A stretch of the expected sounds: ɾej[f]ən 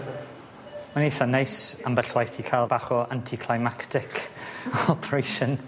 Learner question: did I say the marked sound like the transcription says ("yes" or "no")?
no